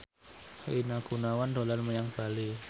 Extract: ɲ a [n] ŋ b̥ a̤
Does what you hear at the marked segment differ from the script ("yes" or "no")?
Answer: yes